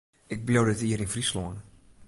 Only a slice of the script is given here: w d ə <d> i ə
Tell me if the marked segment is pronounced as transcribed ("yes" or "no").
no